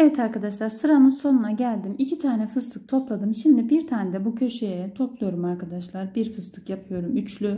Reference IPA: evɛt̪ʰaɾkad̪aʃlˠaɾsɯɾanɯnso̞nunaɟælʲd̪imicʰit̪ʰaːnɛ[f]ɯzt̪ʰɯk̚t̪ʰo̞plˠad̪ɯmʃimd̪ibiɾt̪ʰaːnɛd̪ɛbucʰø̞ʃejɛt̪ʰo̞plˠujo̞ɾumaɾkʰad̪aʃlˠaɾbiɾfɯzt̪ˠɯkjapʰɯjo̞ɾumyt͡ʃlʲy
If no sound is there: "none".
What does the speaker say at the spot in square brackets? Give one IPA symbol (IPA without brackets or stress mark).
f